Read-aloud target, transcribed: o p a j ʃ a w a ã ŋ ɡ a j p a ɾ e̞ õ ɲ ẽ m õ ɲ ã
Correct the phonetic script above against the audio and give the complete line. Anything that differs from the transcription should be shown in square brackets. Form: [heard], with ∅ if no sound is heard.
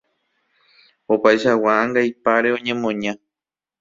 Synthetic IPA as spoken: o p a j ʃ a w a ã ŋ ɡ a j p a ɾ e̞ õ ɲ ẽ m õ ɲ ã